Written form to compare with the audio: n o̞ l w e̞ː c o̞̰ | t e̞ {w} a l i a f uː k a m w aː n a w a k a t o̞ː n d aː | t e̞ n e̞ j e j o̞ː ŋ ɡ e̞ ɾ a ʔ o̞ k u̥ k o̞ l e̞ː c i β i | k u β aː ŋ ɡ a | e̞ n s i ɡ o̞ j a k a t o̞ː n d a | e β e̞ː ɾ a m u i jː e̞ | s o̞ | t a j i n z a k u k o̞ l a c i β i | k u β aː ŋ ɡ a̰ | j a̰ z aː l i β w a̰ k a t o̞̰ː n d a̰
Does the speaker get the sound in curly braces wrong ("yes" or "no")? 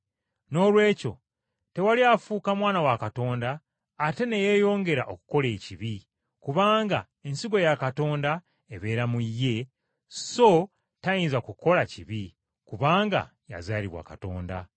no